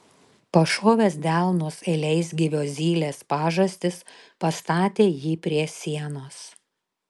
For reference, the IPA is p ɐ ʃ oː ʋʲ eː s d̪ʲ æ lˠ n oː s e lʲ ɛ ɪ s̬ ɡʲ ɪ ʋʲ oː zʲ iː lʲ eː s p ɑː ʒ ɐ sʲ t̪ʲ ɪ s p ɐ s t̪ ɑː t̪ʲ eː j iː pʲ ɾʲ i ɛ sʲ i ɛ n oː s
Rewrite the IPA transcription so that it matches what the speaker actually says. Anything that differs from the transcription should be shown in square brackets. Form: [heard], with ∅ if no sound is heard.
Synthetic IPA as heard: p ɐ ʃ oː ʋʲ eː s d̪ʲ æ lˠ n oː s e lʲ ɛ ɪ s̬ ɡʲ ɪ ʋʲ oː zʲ iː lʲ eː s p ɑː ʒ ɐ sʲ t̪ʲ ɪ s p ɐ s t̪ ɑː t̪ʲ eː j iː pʲ ɾʲ i ɛ sʲ i ɛ n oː s